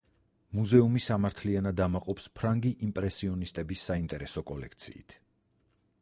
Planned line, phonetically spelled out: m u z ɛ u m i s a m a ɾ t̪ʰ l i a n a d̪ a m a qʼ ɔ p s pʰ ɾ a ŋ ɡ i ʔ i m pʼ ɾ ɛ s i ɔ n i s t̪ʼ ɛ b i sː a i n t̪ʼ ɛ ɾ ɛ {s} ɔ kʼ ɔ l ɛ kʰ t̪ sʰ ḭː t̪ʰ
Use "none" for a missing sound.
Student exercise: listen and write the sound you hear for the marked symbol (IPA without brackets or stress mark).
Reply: s